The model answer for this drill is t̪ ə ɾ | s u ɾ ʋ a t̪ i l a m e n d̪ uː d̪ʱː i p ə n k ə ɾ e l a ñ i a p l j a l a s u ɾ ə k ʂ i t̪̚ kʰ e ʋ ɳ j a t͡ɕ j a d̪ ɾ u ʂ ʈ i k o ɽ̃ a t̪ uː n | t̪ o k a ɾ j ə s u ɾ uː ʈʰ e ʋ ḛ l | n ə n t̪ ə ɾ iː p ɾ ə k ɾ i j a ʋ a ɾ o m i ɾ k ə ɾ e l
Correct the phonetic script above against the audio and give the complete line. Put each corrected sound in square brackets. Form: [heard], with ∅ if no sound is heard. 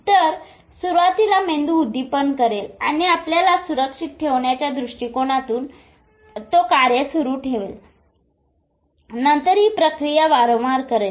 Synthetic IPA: t̪ ə ɾ | s u ɾ ʋ a t̪ i l a m e n d̪ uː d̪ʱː i p ə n k ə ɾ e l a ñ i a p l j a l a s u ɾ ə k ʂ i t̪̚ [ʈʰ] e ʋ ɳ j a t͡ɕ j a d̪ ɾ u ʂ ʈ i k o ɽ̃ a t̪ uː n | t̪ o k a ɾ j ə s u ɾ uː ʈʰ e ʋ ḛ l | n ə n t̪ ə ɾ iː p ɾ ə k ɾ i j a ʋ a ɾ o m [a] ɾ k ə ɾ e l

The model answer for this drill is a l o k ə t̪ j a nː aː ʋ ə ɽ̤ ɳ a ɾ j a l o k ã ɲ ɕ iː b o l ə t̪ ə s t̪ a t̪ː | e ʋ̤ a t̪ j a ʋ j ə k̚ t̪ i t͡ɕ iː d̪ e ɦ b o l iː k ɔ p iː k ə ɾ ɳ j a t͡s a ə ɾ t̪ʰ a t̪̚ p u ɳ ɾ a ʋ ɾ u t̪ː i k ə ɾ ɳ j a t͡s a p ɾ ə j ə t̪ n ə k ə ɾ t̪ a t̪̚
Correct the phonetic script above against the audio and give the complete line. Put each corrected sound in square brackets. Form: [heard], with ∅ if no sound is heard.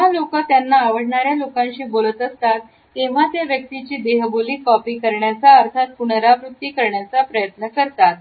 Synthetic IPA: a l o k ə t̪ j a nː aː ʋ ə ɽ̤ ɳ a ɾ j a l o k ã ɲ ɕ iː b o l ə t̪ ə s t̪ a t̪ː | e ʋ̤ a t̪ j a ʋ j ə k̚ t̪ i t͡ɕ iː d̪ e ɦ b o l iː k ɔ p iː k ə ɾ ɳ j a t͡s a ə ɾ t̪ʰ a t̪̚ p u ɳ ɾ a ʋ ɾ u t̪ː i k ə ɾ ɳ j a t͡s a p ɾ ə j ə t̪ n ə k ə ɾ t̪ a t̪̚

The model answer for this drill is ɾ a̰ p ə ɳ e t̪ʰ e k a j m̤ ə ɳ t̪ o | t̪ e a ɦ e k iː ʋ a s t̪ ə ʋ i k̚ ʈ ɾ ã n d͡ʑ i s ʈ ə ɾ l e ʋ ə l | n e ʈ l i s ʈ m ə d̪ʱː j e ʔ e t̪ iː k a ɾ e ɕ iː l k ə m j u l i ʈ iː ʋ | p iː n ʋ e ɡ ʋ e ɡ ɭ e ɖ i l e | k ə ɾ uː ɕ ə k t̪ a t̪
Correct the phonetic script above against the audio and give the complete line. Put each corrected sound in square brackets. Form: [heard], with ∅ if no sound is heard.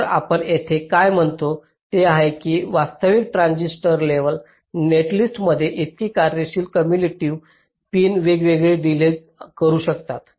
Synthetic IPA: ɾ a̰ p ə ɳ e t̪ʰ e k a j m̤ ə ɳ t̪ o | t̪ e a ɦ e k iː ʋ a s t̪ ə ʋ i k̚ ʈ ɾ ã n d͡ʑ i s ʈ ə ɾ l e ʋ ə l | n e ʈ l i s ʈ m ə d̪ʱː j e ʔ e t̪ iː k a ɾ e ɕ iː l k ə m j u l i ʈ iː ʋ | p iː n ʋ e ɡ ʋ e ɡ ɭ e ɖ i l e | k ə ɾ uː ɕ ə k t̪ a t̪

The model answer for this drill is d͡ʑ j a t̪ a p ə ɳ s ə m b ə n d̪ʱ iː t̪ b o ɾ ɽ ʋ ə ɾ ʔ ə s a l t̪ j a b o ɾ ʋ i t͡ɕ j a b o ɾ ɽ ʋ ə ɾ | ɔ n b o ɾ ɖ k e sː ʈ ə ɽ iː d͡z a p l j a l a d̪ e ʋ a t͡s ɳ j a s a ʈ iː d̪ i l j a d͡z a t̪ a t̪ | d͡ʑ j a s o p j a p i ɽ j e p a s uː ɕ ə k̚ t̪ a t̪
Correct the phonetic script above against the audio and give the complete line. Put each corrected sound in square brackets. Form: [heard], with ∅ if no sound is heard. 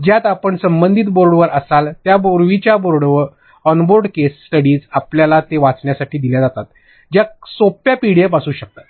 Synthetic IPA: d͡ʑ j a t̪ a p ə ɳ s ə m b ə n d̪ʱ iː t̪ b o ɾ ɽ ʋ ə ɾ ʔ ə s a l t̪ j a b o ɾ ʋ i t͡ɕ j a b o ɾ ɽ ʋ ə ɾ | ɔ n b o ɾ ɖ k e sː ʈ ə ɽ iː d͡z a p l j a l a [t̪] e ʋ a t͡s ɳ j a s a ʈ iː d̪ i l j a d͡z a t̪ a t̪ | d͡ʑ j a s o p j a p i ɽ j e p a s uː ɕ ə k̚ t̪ a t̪

